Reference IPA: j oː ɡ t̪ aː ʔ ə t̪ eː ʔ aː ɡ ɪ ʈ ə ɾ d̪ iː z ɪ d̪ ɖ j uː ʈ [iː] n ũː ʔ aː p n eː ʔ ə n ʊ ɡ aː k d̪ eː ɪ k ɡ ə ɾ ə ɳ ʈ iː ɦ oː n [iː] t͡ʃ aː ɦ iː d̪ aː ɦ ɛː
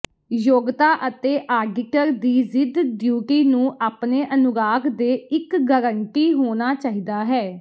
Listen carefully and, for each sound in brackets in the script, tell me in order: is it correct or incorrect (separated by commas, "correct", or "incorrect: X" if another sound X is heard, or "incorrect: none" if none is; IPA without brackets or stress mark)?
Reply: correct, incorrect: aː